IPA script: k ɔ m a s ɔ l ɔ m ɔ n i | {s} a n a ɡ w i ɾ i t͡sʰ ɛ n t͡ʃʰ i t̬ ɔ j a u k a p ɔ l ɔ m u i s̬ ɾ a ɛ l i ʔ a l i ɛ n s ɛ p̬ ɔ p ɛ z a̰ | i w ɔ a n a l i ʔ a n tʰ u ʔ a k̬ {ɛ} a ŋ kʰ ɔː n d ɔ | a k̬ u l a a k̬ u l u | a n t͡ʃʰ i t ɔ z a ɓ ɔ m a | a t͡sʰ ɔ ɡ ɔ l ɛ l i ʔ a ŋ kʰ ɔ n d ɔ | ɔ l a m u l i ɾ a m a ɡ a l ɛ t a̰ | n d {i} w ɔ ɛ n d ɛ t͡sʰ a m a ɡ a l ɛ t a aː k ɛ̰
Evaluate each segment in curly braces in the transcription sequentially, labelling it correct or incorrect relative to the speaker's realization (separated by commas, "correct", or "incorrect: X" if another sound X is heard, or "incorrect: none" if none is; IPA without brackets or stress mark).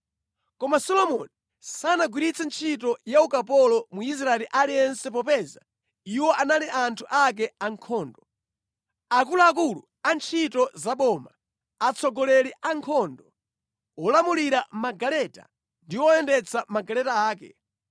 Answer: correct, correct, correct